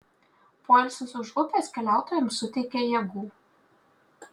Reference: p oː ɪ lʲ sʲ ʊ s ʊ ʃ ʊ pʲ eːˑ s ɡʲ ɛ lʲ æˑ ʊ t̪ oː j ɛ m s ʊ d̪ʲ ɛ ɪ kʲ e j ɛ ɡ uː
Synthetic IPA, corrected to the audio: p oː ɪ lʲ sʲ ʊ s ʊ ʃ ʊ pʲ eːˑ s kʲ ɛ lʲ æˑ ʊ t̪ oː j ɛ m s ʊ t̪ʲ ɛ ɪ kʲ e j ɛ ɡ uː

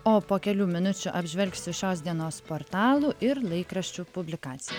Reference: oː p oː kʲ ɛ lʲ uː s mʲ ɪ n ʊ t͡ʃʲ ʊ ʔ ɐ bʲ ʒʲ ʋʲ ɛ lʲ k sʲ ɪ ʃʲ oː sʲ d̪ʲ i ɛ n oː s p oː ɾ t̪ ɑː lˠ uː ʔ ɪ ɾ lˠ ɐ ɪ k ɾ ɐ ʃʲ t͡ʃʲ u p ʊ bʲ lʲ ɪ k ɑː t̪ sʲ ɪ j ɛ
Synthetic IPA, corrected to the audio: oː p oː kʲ ɛ lʲ uː mʲ ɪ n ʊ t͡ʃʲ ʊ ʔ ɐ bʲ ʒʲ ʋʲ ɛ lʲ k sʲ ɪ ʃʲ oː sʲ d̪ʲ i ɛ n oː s p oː ɾ t̪ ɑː lˠ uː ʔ ɪ ɾ lˠ ɐ ɪ k ɾ ɐ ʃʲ t͡ʃʲ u p ʊ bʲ lʲ ɪ k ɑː t̪ sʲ ɪ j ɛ

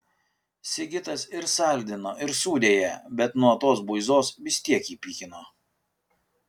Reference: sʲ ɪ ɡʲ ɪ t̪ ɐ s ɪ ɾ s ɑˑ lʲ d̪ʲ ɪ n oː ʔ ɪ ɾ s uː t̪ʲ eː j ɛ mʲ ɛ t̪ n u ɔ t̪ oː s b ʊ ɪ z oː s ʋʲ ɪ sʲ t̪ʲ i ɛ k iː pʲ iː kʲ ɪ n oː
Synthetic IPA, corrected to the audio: sʲ ɪ ɡʲ ɪ t̪ ɐ s ɪ ɾ s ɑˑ lʲ d̪ʲ ɪ n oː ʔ ɪ ɾ s uː d̪ʲ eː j ɛ bʲ ɛ t̪ n u ɔ t̪ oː s b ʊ ɪ z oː s ʋʲ ɪ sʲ t̪ʲ i ɛ k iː pʲ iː kʲ ɪ n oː

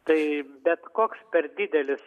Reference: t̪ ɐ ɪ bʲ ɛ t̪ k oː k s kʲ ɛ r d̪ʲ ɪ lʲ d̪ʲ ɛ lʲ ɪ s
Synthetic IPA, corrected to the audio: t̪ ɐ ɪ bʲ ɛ t̪ k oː k s pʲ ɛ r d̪ʲ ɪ d̪ʲ ɛ lʲ ɪ s

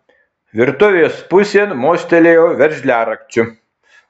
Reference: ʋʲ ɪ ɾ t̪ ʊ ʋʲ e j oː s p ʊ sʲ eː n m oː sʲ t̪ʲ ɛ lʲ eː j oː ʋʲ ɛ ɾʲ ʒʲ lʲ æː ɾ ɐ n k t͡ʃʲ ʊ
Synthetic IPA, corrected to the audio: ʋʲ ɪ ɾ t̪ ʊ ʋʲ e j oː s p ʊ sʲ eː n m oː sʲ t̪ʲ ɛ lʲ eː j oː ʋʲ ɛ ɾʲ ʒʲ lʲ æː ɾ ɐ k t͡ʃʲ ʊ

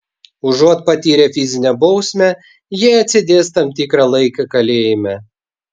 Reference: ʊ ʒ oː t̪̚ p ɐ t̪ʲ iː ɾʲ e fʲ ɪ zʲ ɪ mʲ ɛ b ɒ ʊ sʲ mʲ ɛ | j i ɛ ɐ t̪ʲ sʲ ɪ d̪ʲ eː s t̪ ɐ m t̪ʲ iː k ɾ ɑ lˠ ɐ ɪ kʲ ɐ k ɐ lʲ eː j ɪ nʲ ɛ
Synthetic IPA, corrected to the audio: ʊ ʒ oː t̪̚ p ɐ t̪ʲ iː ɾʲ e fʲ ɪ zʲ ɪ nʲ ɛ b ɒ ʊ sʲ mʲ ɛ | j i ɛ ɐ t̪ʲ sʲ ɪ d̪ʲ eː s t̪ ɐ m t̪ʲ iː k ɾ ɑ lˠ ɐ ɪ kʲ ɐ k ɐ lʲ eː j ɪ mʲ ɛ

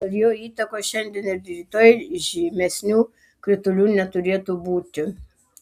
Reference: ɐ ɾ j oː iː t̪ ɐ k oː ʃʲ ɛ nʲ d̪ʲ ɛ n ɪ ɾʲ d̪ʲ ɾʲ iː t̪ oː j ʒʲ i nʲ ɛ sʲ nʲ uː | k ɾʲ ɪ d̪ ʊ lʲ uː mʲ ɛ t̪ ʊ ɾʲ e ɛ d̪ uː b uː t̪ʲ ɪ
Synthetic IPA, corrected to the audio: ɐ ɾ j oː iː t̪ ɐ k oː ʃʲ ɛ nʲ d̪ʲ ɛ n ɪ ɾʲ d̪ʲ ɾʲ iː t̪ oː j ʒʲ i mʲ ɛ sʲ nʲ uː | k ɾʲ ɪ t̪ ʊ lʲ uː nʲ ɛ t̪ ʊ ɾʲ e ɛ t̪ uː b uː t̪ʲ ɪ

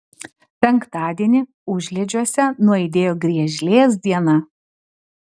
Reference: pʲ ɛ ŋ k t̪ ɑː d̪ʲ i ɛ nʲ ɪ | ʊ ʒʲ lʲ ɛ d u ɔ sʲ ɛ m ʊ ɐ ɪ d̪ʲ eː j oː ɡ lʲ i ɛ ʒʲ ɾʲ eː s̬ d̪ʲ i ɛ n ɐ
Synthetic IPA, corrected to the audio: pʲ ɛ ŋ k t̪ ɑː d̪ʲ i ɛ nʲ ɪ | ʊ ʒʲ lʲ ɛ d͡ʒʲ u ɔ sʲ ɛ n ʊ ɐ ɪ d̪ʲ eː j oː ɡ ɾʲ i ɛ ʒʲ lʲ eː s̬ d̪ʲ i ɛ n ɐ

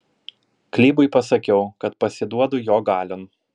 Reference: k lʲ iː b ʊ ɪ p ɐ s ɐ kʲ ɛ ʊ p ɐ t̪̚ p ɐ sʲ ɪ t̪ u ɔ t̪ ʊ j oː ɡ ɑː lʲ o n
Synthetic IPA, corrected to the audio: k lʲ iː b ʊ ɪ p ɐ s ɐ kʲ ɛ ʊ k ɐ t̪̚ p ɐ sʲ ɪ d̪ u ɔ d̪ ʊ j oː ɡ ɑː lʲ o n

